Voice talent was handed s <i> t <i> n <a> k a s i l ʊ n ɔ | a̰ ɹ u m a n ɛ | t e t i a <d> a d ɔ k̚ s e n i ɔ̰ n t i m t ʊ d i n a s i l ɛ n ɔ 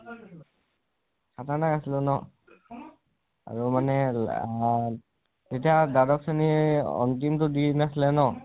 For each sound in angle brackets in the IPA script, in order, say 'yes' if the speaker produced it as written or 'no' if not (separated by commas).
no, no, yes, yes